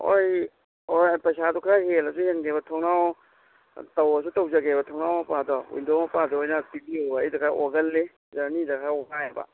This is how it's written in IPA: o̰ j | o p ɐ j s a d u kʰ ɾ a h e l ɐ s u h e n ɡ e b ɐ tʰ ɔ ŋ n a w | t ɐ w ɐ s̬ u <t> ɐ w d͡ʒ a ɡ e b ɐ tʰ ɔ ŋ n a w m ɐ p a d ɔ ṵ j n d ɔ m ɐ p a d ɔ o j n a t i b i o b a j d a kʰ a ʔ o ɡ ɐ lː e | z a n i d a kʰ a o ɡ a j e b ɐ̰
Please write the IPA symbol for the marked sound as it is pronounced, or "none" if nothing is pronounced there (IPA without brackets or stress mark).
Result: t